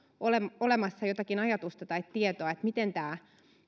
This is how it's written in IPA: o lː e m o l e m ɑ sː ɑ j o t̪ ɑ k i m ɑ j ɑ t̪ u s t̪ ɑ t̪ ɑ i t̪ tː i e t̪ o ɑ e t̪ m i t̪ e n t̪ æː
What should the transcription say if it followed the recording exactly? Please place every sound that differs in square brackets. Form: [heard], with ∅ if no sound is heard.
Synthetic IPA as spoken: o [l] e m o l e m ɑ sː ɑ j o t̪ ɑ k i [n] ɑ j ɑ t̪ u s t̪ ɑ t̪ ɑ i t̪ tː i e t̪ o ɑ e t̪ m i t̪ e n t̪ æː